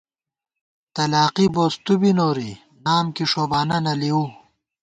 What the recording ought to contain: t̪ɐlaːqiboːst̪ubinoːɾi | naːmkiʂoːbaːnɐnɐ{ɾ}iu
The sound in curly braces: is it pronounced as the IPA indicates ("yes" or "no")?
no